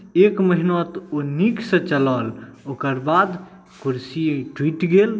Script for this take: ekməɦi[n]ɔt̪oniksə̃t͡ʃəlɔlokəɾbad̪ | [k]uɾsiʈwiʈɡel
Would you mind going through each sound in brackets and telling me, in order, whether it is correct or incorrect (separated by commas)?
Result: correct, correct